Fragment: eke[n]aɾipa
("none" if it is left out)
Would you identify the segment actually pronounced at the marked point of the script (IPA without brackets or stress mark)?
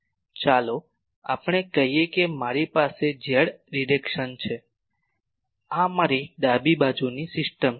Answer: m